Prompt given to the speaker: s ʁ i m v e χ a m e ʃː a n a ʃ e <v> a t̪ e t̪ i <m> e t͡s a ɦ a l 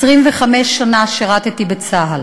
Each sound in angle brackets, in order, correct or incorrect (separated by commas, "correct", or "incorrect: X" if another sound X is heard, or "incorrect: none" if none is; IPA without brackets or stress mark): incorrect: ʁ, incorrect: b